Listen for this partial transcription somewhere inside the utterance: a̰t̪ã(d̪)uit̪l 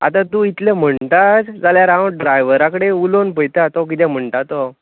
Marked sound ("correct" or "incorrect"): incorrect